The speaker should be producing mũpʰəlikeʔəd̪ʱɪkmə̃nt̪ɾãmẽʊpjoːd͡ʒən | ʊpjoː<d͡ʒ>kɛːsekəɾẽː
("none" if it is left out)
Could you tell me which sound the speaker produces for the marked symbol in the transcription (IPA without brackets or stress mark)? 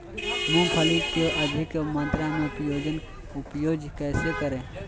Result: d͡ʒ